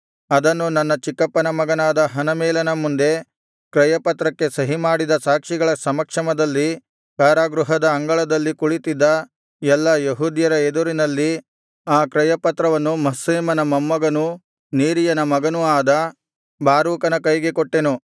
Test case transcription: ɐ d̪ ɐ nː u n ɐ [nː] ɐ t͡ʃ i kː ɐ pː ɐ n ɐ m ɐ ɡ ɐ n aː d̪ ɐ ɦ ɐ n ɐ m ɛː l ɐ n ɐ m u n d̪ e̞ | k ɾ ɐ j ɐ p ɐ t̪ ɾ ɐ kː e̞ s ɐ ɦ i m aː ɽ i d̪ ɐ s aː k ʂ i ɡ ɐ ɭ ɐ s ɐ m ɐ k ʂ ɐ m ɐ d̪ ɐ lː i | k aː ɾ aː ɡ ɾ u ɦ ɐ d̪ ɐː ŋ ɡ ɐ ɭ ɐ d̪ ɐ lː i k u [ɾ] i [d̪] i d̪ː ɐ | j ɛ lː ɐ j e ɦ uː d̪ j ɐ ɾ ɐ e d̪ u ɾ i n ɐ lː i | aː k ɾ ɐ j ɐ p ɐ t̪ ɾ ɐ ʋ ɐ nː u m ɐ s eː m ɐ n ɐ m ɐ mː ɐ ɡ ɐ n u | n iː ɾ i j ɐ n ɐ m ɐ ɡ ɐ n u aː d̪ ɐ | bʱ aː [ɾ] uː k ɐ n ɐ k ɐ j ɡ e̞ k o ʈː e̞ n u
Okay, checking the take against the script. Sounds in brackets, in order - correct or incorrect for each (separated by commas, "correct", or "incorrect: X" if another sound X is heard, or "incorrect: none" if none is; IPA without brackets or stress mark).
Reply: correct, incorrect: ɭ, incorrect: t̪, correct